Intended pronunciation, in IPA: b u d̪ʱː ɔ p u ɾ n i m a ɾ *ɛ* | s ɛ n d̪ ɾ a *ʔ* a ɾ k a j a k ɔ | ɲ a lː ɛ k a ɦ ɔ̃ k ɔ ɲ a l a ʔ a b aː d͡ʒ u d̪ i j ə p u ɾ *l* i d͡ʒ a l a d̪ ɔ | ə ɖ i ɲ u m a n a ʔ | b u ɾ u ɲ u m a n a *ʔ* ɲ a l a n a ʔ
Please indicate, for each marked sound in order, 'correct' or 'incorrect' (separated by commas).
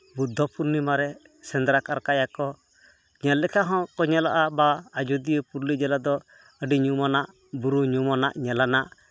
correct, incorrect, correct, correct